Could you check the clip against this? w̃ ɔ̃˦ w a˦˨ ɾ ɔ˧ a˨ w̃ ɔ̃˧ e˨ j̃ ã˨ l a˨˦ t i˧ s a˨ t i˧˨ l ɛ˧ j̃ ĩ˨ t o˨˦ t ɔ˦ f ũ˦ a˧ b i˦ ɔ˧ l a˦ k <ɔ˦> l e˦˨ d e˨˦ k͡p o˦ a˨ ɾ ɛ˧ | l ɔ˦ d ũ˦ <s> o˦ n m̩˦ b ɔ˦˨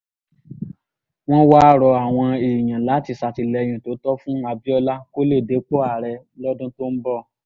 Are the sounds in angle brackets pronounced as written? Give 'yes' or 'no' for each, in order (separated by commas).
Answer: no, no